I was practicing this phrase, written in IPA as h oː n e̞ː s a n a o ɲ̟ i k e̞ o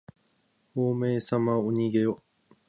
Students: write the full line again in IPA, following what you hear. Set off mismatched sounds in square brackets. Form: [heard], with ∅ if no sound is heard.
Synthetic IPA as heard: h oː [m] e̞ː s a [m] a o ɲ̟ i [ɡ] e̞ o

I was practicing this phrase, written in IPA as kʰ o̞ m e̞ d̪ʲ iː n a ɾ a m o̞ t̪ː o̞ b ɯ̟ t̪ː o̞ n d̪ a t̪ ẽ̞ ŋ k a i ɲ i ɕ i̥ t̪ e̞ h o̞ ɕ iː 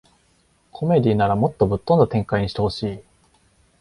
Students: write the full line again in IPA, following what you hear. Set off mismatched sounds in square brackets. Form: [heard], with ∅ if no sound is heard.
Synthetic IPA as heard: kʰ o̞ m e̞ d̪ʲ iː n a ɾ a m o̞ t̪ː o̞ b ɯ̟ t̪ː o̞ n d̪ a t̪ ẽ̞ ŋ k a i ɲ i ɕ i̥ t̪ e̞ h o̞ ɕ iː

